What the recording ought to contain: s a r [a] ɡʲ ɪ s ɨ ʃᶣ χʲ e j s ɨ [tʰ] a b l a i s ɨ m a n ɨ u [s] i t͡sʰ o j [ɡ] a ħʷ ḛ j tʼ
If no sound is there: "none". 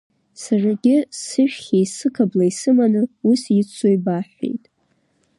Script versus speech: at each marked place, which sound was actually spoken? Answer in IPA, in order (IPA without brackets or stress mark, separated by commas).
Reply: a, kʰ, s, b